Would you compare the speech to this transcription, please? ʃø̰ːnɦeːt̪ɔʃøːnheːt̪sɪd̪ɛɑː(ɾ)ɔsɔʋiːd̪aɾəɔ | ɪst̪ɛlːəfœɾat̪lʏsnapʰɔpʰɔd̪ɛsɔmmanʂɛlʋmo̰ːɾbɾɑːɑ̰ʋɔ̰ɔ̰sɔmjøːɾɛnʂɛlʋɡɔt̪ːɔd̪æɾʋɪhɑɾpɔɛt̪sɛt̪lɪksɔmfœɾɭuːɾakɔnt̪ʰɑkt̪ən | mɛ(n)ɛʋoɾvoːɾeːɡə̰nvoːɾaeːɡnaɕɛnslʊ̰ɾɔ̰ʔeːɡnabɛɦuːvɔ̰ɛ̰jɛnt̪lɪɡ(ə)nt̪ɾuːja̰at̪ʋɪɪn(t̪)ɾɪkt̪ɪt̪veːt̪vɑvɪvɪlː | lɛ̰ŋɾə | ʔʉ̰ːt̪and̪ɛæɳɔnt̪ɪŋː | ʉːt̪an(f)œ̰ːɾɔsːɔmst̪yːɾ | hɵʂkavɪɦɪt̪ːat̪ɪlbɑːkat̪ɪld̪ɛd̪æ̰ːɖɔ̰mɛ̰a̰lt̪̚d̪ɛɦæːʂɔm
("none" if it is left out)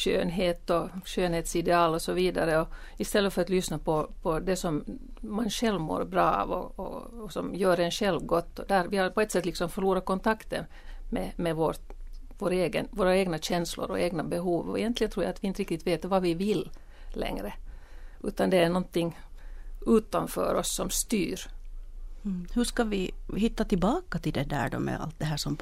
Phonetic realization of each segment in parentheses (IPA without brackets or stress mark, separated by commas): l, m, ə, t̪, f